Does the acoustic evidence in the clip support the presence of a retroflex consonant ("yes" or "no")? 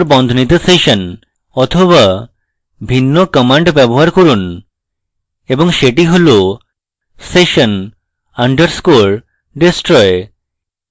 yes